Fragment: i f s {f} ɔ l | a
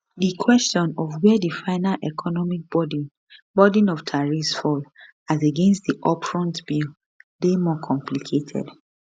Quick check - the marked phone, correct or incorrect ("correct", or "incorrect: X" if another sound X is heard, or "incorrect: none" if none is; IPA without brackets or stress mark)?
correct